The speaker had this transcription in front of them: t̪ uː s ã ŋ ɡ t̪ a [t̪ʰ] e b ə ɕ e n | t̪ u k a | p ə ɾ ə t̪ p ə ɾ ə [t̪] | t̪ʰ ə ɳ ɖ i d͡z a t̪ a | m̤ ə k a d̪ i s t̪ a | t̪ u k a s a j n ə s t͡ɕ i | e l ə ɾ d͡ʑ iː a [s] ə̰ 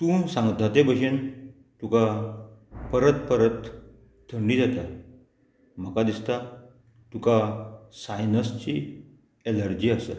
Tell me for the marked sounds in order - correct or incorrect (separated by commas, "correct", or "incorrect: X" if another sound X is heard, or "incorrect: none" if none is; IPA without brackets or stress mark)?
incorrect: t̪, correct, correct